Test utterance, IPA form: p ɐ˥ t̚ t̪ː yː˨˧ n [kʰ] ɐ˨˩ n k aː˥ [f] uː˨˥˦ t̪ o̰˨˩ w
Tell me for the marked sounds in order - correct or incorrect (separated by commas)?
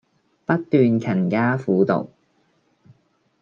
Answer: correct, correct